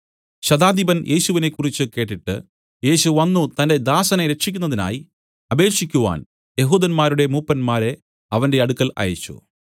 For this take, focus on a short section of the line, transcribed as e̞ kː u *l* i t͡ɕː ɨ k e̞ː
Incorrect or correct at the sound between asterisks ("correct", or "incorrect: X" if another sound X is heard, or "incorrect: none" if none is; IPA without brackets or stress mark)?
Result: incorrect: r